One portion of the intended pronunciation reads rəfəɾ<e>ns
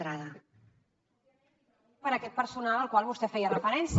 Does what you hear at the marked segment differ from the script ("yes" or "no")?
yes